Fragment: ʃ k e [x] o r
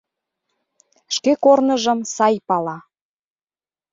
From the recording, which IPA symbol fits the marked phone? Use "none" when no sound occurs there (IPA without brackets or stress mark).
k